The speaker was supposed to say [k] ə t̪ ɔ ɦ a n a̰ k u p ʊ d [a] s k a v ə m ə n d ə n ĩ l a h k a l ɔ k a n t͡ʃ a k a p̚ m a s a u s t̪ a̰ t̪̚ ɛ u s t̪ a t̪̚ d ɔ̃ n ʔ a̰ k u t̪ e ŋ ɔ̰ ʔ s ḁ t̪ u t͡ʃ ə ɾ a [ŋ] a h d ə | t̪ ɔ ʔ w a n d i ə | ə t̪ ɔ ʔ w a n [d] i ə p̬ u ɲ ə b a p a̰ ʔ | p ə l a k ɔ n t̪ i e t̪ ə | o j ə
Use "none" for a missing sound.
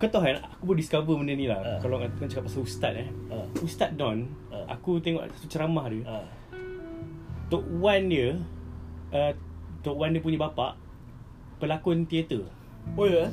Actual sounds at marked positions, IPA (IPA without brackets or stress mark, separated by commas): k, i, m, d